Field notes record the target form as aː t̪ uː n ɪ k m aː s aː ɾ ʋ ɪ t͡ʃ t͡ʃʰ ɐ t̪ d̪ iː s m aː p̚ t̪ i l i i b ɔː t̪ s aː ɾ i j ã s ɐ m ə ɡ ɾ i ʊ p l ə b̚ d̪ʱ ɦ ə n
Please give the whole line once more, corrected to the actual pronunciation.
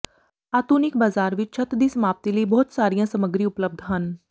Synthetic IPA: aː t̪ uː n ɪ k b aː z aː ɾ ʋ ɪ t͡ʃ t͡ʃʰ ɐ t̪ d̪ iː s m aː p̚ t̪ i l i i b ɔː t̪ s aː ɾ i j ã s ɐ m ə ɡ ɾ i ʊ p l ə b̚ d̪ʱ ɦ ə n

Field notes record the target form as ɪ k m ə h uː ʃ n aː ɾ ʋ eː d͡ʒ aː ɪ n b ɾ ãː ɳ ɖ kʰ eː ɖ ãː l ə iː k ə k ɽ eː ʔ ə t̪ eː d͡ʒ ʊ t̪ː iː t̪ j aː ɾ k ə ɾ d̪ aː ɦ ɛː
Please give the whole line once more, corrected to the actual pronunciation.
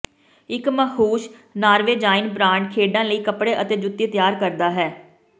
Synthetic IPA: ɪ k m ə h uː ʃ n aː ɾ ʋ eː d͡ʒ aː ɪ n b ɾ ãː ɳ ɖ kʰ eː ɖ ãː l ə iː k ə p ɽ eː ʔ ə t̪ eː d͡ʒ ʊ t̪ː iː t̪ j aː ɾ k ə ɾ d̪ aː ɦ ɛː

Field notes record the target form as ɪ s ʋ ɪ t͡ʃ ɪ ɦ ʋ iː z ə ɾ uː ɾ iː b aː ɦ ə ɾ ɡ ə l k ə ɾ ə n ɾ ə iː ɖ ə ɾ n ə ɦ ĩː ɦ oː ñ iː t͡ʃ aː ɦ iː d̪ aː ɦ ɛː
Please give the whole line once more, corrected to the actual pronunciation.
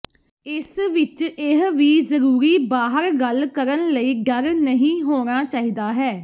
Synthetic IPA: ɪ s ʋ ɪ t͡ʃ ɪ ɦ ʋ iː z ə ɾ uː ɾ iː b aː ɦ ə ɾ ɡ ə l k ə ɾ ə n l ə iː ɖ ə ɾ n ə ɦ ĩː ɦ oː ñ aː t͡ʃ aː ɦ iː d̪ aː ɦ ɛː

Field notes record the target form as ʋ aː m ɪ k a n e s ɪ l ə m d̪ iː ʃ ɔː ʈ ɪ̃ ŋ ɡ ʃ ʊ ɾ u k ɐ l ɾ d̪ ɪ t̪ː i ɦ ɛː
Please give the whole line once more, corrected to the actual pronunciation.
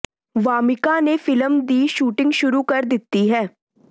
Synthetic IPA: ʋ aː m ɪ k a n e f ɪ l ə m d̪ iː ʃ uː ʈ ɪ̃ ŋ ɡ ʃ ʊ ɾ u k ɐ ɾ d̪ ɪ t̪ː i ɦ ɛː

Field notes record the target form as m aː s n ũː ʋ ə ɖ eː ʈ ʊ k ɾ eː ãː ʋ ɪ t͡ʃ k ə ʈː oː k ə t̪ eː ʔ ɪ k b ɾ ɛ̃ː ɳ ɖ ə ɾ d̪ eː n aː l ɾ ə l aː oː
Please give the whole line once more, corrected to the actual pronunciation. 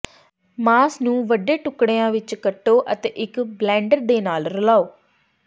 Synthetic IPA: m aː s n ũː ʋ ə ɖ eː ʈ ʊ k ɽ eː ãː ʋ ɪ t͡ʃ k ə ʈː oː ʔ ə t̪ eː ʔ ɪ k b l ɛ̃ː ɳ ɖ ə ɾ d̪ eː n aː l ɾ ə l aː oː

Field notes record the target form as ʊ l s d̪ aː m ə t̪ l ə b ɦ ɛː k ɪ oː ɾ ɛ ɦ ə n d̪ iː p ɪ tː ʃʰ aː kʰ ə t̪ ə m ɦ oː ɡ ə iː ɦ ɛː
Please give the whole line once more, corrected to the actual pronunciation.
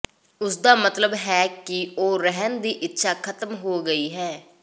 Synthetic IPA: ʊ s d̪ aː m ə t̪ l ə b ɦ ɛː k ɪ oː ɾ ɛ ɦ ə n d̪ iː ʔ ɪ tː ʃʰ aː kʰ ə t̪ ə m ɦ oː ɡ ə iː ɦ ɛː

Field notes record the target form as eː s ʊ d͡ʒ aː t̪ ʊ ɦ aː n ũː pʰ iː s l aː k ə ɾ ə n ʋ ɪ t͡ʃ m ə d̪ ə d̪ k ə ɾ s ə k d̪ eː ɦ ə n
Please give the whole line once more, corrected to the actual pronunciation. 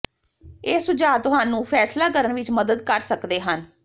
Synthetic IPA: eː s ʊ d͡ʒ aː t̪ ʊ ɦ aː n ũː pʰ ɛː s l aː k ə ɾ ə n ʋ ɪ t͡ʃ m ə d̪ ə d̪ k ə ɾ s ə k d̪ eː ɦ ə n

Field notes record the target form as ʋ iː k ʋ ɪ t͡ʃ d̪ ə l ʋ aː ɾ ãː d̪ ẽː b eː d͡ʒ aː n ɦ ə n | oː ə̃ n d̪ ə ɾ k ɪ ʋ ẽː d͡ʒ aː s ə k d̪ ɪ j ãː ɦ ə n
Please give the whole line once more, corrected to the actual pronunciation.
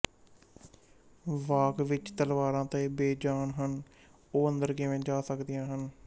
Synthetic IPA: ʋ aː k ʋ ɪ t͡ʃ t̪ ə l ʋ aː ɾ ãː t̪ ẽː b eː d͡ʒ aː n ɦ ə n | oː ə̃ n d̪ ə ɾ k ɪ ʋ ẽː d͡ʒ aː s ə k d̪ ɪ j ãː ɦ ə n

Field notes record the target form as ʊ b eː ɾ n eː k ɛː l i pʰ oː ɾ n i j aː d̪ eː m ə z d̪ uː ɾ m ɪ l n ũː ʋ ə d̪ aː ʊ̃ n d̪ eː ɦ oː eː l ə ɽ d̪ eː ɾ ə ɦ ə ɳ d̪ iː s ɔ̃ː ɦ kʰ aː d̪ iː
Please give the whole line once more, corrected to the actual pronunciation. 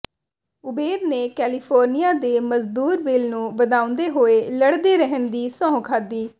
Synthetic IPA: ʊ b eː ɾ n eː k ɛː l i pʰ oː ɾ n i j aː d̪ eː m ə z d̪ uː ɾ b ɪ l n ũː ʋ ə d̪ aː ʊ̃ n d̪ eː ɦ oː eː l ə ɽ d̪ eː ɾ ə ɦ ə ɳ d̪ iː s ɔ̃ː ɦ kʰ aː d̪ iː

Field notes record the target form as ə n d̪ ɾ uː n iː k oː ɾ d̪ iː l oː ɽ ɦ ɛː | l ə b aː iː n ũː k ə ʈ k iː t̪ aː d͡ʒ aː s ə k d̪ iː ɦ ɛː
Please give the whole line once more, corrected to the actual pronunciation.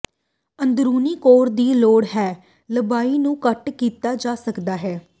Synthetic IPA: ə n d̪ ɾ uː n iː k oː ɾ d̪ iː l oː ɽ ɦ ɛː | l ə b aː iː n ũː k ə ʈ k iː t̪ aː d͡ʒ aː s ə k d̪ aː ɦ ɛː

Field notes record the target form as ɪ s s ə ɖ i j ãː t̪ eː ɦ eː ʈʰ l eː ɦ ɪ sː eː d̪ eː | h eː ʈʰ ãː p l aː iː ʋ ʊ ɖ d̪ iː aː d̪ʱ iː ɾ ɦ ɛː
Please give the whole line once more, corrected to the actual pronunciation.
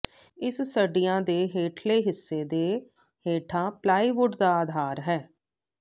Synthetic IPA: ɪ s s ə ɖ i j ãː d̪ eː ɦ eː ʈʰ l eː ɦ ɪ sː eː d̪ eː | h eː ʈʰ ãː p l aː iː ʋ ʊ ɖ d̪ aː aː d̪ʱ aː ɾ ɦ ɛː

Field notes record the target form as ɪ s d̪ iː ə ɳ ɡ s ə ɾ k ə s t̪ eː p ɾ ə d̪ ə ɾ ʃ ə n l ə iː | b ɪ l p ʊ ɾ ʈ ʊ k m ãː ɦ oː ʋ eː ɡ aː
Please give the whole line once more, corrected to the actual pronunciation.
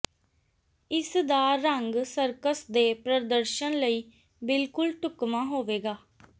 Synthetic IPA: ɪ s d̪ aː ə ŋ ɡ s ə ɾ k ə s d̪ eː p ɾ ə d̪ ə ɾ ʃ ə n l ə iː | b ɪ l k ʊ l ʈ ʊ k m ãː ɦ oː ʋ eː ɡ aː

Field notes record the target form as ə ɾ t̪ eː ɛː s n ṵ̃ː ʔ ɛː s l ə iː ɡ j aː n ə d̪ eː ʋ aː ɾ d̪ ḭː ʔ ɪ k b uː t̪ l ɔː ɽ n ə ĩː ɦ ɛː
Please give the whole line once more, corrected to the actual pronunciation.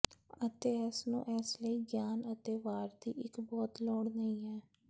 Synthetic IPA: ə t̪ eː ɛː s n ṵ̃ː ʔ ɛː s l ə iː ɡ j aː n ə t̪ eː ʋ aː ɾ d̪ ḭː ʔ ɪ k b ɔː t̪ l ɔː ɽ n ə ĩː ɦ ɛː

